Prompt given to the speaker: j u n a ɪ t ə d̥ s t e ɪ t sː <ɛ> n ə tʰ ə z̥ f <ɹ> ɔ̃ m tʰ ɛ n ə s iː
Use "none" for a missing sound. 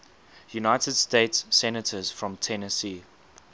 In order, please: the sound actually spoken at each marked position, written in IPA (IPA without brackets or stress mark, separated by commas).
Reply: ɛ, ɹ